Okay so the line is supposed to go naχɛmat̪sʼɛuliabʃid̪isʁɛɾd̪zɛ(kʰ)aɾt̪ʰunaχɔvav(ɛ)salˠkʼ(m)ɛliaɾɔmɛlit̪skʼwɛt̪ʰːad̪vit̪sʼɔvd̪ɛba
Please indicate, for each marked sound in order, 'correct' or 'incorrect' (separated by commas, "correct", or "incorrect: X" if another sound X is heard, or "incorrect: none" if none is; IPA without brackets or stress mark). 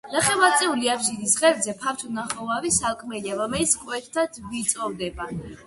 incorrect: pʰ, incorrect: i, correct